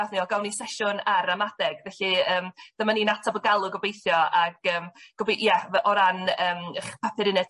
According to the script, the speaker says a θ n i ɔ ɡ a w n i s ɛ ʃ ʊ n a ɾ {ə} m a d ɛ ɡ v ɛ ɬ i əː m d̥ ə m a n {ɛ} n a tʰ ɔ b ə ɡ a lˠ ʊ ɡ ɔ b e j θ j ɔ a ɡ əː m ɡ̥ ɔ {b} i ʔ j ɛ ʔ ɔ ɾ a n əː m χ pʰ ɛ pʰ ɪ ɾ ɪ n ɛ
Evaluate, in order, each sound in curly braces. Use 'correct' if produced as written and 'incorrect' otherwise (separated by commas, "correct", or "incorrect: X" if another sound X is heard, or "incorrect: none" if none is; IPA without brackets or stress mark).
incorrect: a, incorrect: i, correct